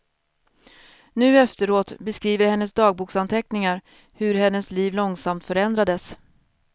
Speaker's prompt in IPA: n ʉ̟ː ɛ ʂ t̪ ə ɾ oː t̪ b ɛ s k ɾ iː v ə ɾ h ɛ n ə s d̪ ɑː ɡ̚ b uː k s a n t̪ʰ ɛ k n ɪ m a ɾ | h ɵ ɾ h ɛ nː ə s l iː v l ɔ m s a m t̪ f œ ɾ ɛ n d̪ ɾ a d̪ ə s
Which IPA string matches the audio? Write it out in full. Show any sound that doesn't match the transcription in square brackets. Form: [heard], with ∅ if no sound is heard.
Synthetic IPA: n ʉ̟ː ɛ [f] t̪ ə ɾ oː t̪ b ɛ s k ɾ iː v ə ɾ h ɛ [nː] ə s d̪ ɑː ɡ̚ b uː k s a n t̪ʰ ɛ k n ɪ [ŋ] a ɾ | h ɵ ɾ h ɛ nː ə s l iː v l ɔ [ŋ] s a m t̪ f œ ɾ ɛ n d̪ ɾ a d̪ ə s